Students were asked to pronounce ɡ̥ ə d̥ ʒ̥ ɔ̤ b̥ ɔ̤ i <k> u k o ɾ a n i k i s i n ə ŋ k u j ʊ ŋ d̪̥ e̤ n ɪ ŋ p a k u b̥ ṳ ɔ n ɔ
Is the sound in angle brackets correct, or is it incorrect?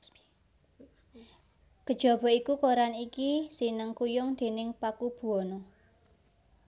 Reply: correct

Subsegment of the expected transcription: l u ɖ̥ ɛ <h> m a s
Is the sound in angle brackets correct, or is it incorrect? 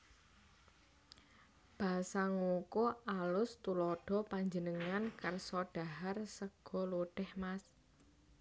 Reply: correct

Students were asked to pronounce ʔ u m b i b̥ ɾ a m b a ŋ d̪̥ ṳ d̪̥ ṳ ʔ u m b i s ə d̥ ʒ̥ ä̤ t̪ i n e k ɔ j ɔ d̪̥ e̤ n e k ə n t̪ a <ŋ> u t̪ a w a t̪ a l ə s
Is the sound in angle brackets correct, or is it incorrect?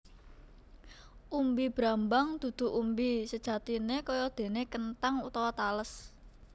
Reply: correct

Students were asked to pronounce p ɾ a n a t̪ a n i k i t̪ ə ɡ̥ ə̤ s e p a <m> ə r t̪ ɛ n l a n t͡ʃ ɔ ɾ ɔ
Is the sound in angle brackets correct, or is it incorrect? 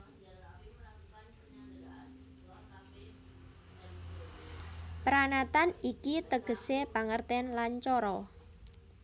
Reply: incorrect: ŋ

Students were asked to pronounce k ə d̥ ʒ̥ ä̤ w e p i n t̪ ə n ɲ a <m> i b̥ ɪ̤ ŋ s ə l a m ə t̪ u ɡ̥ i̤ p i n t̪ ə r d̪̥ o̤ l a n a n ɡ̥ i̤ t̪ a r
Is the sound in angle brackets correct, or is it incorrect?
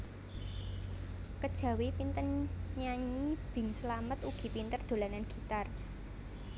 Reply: incorrect: ɲ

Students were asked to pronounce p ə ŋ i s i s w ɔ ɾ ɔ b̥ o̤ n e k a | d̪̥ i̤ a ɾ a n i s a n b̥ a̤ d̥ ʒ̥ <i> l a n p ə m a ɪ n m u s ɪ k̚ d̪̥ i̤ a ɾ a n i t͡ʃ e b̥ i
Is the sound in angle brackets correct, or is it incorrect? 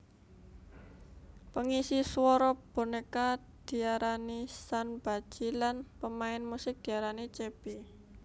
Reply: correct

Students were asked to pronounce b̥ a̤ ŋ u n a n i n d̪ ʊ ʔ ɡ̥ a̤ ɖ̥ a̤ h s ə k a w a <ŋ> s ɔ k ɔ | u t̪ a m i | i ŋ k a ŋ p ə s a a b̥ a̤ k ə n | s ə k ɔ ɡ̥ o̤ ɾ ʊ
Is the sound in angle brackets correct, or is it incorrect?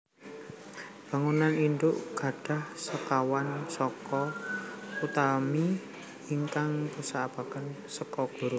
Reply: incorrect: n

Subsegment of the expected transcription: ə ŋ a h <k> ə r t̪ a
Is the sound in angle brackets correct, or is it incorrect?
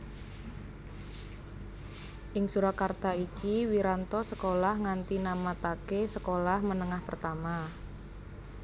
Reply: incorrect: p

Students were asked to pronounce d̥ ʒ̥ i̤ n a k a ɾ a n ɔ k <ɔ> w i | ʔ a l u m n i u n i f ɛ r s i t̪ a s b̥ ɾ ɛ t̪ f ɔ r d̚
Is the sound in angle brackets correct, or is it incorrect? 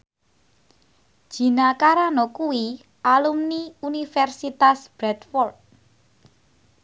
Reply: incorrect: u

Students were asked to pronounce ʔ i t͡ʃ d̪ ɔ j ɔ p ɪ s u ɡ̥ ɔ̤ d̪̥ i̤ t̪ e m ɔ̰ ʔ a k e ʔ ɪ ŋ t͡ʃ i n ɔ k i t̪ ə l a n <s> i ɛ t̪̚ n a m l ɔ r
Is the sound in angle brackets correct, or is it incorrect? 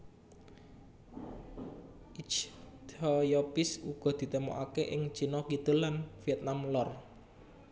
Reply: incorrect: f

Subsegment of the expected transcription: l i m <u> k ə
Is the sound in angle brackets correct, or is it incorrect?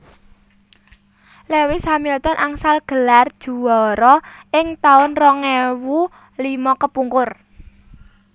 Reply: incorrect: ɔ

